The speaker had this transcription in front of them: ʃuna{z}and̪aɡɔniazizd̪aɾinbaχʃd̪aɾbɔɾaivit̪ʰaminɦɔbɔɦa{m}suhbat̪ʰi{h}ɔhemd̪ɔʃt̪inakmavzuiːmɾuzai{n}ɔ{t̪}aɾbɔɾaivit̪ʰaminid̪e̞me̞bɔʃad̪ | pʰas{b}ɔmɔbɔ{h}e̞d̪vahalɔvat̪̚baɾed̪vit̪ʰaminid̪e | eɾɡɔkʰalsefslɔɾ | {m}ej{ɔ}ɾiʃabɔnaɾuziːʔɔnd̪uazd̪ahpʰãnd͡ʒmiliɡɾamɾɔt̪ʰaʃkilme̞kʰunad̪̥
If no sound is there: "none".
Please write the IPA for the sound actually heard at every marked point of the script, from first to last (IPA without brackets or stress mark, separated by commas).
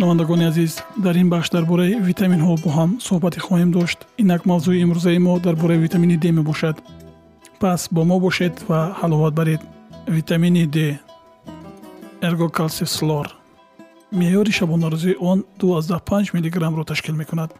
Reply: v, m, χ, m, d̪, b, ʃ, m, ɔ